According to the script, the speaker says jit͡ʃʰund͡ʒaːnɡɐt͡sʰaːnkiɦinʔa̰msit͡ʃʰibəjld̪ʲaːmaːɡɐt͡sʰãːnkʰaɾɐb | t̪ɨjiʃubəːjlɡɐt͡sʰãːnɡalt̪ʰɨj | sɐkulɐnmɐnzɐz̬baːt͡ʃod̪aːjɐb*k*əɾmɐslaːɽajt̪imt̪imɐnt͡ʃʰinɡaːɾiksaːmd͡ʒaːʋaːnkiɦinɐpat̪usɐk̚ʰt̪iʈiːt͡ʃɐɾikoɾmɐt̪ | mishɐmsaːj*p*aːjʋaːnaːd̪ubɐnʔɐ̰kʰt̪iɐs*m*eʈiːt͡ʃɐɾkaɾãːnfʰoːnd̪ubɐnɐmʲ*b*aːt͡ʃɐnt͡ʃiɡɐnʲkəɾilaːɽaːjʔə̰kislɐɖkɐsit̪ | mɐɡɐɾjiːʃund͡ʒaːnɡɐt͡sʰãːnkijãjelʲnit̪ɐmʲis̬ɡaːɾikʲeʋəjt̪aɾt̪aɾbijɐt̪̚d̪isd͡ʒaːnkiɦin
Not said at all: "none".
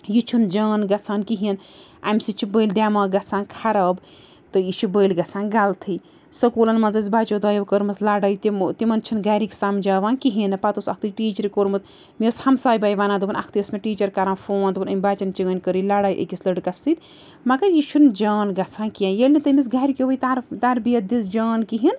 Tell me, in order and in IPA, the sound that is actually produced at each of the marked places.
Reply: k, b, m, b

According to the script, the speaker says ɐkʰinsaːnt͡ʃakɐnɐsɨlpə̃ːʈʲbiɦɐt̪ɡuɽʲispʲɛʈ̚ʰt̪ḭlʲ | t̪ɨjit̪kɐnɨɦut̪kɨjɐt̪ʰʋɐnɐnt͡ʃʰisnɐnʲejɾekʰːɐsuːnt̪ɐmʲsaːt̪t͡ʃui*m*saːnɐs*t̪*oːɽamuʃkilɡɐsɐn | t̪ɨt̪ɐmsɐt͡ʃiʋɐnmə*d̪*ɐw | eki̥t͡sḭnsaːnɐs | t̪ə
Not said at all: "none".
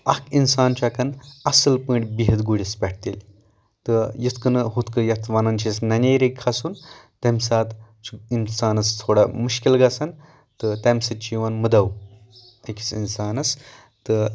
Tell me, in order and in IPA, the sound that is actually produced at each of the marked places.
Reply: n, t̪ʰ, d̪

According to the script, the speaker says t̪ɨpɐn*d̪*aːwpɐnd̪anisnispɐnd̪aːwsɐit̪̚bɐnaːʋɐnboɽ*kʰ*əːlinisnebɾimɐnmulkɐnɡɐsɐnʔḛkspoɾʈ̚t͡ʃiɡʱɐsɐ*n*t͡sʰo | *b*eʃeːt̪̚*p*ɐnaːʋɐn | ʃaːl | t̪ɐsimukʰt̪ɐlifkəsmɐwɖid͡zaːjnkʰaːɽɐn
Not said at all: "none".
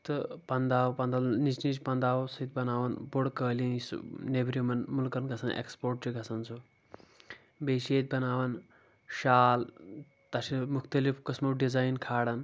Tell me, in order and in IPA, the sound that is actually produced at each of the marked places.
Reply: d̪, k, n, b, b

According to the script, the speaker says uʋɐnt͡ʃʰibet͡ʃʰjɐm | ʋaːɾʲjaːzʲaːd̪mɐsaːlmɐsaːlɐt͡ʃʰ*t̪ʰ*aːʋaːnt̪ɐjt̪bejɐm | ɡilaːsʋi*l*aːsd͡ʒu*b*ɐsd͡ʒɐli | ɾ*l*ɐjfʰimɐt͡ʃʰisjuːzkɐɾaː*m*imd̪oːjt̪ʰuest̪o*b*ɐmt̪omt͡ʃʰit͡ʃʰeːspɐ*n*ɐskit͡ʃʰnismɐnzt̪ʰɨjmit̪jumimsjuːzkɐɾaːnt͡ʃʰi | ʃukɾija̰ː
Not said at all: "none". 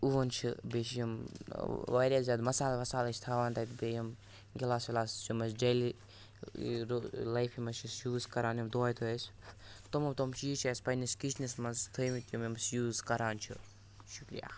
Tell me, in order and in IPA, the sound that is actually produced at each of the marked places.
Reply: t̪ʰ, l, m, l, n, m, n

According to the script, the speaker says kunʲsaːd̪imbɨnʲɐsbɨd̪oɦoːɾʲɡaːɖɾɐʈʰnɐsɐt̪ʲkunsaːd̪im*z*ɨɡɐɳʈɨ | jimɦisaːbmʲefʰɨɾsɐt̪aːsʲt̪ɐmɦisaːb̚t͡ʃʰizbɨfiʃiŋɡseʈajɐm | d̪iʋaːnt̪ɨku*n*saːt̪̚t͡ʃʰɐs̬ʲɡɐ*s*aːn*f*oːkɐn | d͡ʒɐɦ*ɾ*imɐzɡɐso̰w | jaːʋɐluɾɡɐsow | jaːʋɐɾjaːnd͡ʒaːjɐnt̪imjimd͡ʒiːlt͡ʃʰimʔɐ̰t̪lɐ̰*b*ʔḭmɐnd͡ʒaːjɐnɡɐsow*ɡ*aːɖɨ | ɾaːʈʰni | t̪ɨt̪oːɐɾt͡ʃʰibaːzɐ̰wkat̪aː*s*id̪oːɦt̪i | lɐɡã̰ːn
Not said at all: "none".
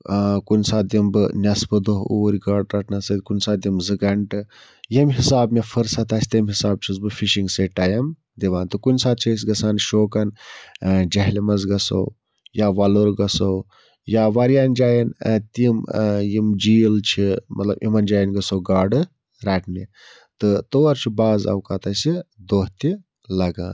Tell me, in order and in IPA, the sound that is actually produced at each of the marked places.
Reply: z, n, s, ʃ, l, b, ɡ, s

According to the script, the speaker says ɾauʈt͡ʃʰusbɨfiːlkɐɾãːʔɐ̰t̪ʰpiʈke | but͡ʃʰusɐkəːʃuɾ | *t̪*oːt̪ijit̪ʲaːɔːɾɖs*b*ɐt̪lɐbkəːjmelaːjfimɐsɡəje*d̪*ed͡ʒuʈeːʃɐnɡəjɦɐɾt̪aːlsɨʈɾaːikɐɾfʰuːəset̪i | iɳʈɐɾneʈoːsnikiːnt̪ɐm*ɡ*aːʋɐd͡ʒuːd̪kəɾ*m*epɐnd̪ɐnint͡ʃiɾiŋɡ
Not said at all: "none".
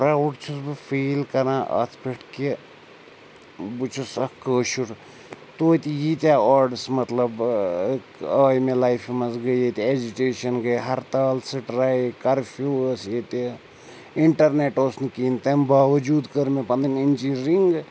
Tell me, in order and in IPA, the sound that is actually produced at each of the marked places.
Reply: t̪, m, t̪, b, m

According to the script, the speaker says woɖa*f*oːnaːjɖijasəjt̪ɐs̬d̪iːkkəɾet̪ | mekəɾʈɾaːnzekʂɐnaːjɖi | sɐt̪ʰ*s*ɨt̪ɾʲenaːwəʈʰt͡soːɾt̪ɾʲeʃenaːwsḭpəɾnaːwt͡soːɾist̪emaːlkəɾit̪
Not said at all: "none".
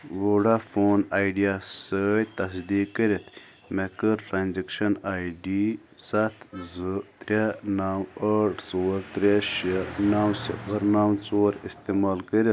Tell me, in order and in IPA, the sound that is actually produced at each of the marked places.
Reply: f, z

